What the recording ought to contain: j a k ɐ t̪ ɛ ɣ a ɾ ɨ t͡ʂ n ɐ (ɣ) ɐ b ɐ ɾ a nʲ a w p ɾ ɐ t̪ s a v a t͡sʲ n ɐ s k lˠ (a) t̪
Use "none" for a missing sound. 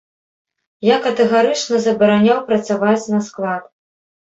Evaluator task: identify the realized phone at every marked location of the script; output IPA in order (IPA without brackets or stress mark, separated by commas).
z, a